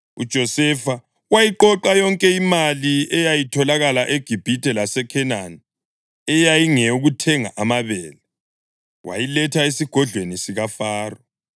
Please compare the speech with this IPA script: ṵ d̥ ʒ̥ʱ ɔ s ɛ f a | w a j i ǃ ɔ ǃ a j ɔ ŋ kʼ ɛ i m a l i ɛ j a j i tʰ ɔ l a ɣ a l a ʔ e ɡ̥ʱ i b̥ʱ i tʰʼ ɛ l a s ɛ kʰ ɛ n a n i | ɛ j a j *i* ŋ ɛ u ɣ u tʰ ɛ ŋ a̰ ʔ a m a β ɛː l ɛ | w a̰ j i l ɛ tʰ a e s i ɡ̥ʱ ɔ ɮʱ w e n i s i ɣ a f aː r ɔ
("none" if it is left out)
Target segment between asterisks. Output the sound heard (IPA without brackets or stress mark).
i